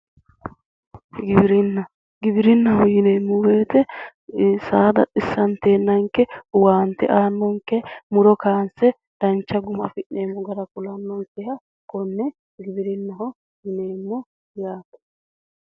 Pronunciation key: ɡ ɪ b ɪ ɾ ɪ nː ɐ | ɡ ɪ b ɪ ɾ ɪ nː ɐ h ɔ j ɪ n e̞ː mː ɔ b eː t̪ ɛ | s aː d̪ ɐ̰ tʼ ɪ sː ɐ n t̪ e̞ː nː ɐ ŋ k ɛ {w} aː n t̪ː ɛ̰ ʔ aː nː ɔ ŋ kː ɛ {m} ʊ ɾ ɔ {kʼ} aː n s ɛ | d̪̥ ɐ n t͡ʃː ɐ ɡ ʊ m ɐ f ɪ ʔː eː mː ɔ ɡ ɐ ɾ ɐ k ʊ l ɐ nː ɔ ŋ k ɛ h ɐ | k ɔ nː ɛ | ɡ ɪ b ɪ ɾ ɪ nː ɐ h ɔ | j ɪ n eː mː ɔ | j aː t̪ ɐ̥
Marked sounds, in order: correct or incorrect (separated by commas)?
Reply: correct, correct, incorrect